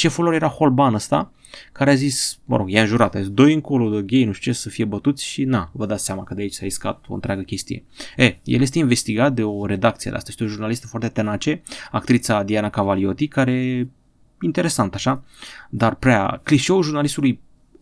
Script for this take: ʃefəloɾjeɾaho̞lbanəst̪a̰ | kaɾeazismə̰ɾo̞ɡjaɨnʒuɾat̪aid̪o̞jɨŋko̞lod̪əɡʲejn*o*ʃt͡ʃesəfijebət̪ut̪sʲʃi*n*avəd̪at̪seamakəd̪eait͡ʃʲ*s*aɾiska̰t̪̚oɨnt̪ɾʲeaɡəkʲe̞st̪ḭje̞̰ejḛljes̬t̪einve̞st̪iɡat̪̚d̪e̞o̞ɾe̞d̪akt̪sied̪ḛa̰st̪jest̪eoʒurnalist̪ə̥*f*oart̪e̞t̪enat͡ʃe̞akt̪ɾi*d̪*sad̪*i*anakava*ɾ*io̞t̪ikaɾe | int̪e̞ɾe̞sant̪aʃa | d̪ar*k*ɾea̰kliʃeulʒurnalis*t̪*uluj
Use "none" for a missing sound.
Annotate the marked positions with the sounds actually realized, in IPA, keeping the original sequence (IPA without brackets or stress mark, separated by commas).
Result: u, n, s, f, t̪, i, l, p, t̪